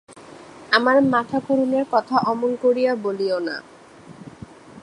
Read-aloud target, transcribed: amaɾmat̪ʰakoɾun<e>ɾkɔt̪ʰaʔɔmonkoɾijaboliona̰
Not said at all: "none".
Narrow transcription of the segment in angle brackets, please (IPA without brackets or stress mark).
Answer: e